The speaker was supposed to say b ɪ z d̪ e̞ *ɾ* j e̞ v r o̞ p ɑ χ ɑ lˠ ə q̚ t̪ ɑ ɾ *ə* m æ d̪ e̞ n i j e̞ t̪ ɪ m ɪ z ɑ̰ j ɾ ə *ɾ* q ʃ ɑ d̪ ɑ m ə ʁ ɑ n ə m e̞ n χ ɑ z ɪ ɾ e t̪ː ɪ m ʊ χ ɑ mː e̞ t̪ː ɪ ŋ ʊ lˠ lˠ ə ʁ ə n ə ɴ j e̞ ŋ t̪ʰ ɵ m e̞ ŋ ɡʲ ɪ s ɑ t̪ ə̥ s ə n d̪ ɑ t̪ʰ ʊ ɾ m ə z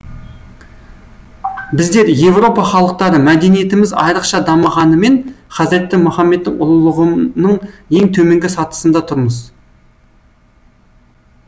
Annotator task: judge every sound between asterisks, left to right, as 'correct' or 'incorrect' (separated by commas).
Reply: correct, correct, incorrect